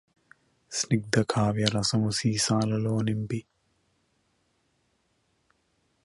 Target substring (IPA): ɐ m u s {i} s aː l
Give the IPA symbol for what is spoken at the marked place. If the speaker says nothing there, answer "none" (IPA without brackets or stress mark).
iː